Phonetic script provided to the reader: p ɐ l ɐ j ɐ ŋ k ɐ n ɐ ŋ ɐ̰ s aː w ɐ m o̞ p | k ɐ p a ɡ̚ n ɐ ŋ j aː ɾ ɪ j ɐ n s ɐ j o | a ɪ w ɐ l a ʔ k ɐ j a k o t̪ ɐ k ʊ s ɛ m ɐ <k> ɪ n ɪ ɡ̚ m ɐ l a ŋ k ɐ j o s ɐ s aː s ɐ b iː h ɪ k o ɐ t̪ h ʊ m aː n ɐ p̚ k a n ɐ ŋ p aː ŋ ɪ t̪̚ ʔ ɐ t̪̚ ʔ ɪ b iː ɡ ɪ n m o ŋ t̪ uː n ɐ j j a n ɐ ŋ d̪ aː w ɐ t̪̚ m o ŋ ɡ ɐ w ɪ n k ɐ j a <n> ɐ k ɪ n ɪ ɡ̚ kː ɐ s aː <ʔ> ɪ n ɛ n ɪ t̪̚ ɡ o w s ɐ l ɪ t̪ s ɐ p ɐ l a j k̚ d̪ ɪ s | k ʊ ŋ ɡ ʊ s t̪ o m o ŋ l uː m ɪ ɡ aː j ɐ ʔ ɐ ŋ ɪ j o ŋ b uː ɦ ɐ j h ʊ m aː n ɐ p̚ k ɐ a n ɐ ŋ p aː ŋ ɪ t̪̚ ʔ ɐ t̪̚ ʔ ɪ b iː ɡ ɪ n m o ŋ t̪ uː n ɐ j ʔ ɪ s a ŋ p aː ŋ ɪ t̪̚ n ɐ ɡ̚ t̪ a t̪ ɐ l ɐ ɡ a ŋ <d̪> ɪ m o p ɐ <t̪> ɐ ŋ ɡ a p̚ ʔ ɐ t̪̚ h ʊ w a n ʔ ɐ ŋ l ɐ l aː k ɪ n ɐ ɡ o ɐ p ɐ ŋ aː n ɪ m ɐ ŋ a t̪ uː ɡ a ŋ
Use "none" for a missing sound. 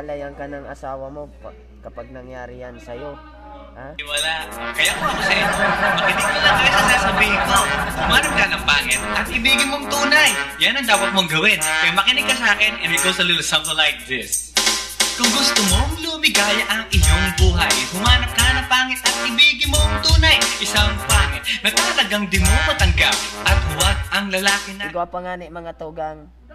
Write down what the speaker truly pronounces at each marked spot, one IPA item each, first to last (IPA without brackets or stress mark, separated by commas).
k, m, k, d̪, t̪